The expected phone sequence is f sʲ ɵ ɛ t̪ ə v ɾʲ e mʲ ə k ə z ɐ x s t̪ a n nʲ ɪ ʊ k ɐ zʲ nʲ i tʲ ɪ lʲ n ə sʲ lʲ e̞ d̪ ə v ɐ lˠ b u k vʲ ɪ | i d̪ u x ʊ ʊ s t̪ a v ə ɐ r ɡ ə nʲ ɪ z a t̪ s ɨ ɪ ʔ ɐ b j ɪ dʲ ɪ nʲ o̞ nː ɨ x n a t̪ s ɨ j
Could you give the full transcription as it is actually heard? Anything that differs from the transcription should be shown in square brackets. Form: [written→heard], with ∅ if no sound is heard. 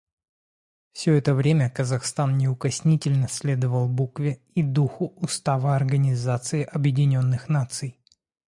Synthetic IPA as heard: f sʲ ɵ ɛ t̪ ə v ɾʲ e mʲ ə k ə z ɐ x s t̪ a n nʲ ɪ ʊ k ɐ [zʲ→sʲ] nʲ i tʲ ɪ lʲ n ə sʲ lʲ e̞ d̪ ə v [ɐ→ə] lˠ b u k vʲ ɪ | i d̪ u x ʊ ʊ s t̪ a v ə ɐ r ɡ ə nʲ ɪ z a t̪ s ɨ ɪ ʔ ɐ b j ɪ dʲ ɪ nʲ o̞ nː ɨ x n a t̪ s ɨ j